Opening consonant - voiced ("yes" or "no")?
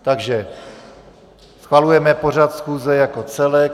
no